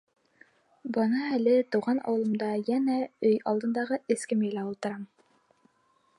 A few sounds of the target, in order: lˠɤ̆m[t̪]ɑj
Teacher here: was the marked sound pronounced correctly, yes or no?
no